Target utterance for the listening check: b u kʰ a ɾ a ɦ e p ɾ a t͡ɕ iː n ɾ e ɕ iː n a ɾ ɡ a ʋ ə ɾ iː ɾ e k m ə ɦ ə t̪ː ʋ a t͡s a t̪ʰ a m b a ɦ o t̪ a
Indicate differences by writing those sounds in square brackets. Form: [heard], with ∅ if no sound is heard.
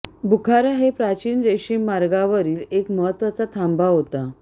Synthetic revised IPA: b u kʰ a ɾ a ɦ e p ɾ a t͡ɕ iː n ɾ e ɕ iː [m] a ɾ ɡ a ʋ ə ɾ iː [l] e k m ə ɦ ə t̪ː ʋ a t͡s a t̪ʰ a m b a ɦ o t̪ a

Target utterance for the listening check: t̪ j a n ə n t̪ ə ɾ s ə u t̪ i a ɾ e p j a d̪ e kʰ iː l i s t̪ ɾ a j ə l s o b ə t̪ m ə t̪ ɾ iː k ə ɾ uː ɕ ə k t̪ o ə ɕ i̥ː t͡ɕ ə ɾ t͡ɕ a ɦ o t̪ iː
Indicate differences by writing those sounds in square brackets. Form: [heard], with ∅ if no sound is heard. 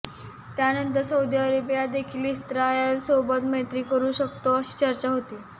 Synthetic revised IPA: t̪ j a n ə n t̪ ə ɾ s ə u [d̪] i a ɾ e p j a d̪ e kʰ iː l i s t̪ ɾ a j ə l s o b ə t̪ m ə t̪ ɾ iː k ə ɾ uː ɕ ə k t̪ o ə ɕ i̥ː t͡ɕ ə ɾ t͡ɕ a ɦ o t̪ iː

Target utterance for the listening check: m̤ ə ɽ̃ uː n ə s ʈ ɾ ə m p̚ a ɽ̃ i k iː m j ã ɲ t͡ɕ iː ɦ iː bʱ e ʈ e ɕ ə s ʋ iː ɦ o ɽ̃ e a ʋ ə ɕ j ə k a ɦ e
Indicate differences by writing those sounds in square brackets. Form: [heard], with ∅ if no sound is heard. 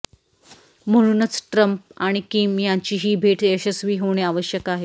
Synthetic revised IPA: m̤ ə ɽ̃ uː n ə [t͡s] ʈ ɾ ə m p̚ a ɽ̃ i k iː m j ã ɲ t͡ɕ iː ɦ iː bʱ e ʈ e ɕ ə s ʋ iː ɦ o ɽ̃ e a ʋ ə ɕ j ə k a ɦ e

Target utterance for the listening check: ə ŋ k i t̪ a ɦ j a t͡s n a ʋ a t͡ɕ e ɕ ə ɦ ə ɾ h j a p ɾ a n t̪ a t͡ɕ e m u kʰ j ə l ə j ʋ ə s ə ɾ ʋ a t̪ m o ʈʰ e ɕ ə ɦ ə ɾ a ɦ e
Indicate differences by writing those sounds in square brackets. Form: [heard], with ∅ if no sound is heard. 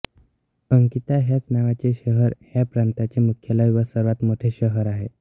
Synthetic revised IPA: ə ŋ k i t̪ a ɦ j a t͡s n a ʋ a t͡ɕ e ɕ ə ɦ ə ɾ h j a p ɾ a n t̪ a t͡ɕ e m u kʰ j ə l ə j ʋ ə s ə ɾ ʋ a t̪ m o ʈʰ e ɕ ə ɦ ə ɾ a ɦ e

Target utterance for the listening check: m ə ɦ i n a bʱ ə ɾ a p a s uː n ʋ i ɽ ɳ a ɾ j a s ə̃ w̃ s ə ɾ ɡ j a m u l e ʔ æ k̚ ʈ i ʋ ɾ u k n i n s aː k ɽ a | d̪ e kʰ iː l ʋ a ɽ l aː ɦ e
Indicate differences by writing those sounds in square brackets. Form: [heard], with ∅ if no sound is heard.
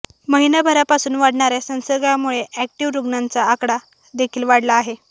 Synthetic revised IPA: m ə ɦ i n a bʱ ə ɾ a p a s uː n ʋ [a] ɽ ɳ a ɾ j a s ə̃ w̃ s ə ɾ ɡ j a m u [ɭ] e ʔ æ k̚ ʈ i ʋ ɾ u [ɡ] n [a] n [t͡s] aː k ɽ a | d̪ e kʰ iː l ʋ a ɽ l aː ɦ e

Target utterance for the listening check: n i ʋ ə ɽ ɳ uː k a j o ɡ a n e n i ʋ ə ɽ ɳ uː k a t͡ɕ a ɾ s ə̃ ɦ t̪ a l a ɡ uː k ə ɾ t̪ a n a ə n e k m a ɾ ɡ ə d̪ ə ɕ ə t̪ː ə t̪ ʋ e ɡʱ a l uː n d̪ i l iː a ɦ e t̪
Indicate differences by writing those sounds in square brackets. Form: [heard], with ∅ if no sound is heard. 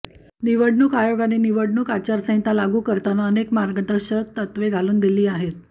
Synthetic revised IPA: n i ʋ ə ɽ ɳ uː k a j o ɡ a n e n i ʋ ə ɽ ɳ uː k a t͡ɕ a ɾ s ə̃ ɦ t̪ a l a ɡ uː k ə ɾ t̪ a n a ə n e k m a ɾ ɡ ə d̪ ə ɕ ə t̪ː ə t̪ ʋ e ɡʱ a l uː n d̪ i l iː a ɦ e t̪

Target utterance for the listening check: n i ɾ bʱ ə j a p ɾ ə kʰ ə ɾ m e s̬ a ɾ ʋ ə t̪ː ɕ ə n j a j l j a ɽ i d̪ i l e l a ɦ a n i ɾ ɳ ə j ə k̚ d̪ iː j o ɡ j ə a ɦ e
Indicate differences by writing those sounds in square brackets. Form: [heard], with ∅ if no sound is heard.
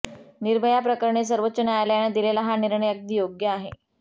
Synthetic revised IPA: n i ɾ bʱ ə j a p ɾ ə [k] ə ɾ [ɳ] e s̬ [ə] ɾ ʋ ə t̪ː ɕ ə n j a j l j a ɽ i d̪ i l e l a ɦ a n i ɾ ɳ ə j ə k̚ d̪ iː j o ɡ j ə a ɦ e

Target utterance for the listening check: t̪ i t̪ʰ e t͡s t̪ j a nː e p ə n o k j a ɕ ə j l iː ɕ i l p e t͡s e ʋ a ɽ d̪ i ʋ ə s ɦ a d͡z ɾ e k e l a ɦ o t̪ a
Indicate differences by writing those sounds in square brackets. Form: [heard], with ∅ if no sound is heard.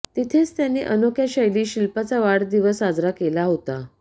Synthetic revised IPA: t̪ i t̪ʰ e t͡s t̪ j a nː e [ʔ] ə n o k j a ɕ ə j l iː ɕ i l p [a] t͡s [a] ʋ a ɽ d̪ i ʋ ə s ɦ a d͡z ɾ [a] k e l a ɦ o t̪ a

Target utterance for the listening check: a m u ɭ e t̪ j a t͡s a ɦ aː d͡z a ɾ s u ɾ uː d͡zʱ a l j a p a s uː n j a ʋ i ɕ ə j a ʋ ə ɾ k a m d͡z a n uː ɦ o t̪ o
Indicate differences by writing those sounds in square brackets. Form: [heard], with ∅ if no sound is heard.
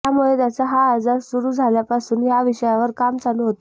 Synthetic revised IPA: a m u ɭ e t̪ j a t͡s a ɦ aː d͡z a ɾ s u ɾ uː d͡zʱ a l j a p a s uː n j a ʋ i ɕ ə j a ʋ ə ɾ k a m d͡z a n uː ɦ o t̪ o

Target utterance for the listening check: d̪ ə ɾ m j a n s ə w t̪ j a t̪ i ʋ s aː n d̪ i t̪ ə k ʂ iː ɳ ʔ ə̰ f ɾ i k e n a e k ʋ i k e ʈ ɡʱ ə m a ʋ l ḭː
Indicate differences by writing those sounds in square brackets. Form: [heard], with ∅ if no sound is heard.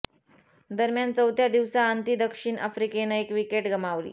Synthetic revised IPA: d̪ ə ɾ m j a n [t͡s] ə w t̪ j a [d̪] i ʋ s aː n [t̪] i [d̪] ə k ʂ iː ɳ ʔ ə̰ f ɾ i k e n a e k ʋ i k e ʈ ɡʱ ə m a ʋ l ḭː

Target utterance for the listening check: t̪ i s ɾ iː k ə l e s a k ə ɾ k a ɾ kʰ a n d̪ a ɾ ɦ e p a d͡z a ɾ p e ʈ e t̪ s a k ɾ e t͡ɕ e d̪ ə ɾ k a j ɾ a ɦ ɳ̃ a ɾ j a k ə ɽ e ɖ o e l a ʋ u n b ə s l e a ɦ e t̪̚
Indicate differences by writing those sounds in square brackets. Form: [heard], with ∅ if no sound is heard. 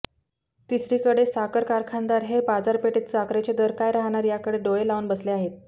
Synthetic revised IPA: t̪ i s ɾ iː k ə [ɽ] e s a k ə ɾ k a ɾ kʰ a n d̪ a ɾ ɦ e p a d͡z a ɾ p e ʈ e t̪ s a k ɾ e t͡ɕ e d̪ ə ɾ k a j ɾ a ɦ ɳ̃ a ɾ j a k ə ɽ e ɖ o e l a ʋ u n b ə s l e a ɦ e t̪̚

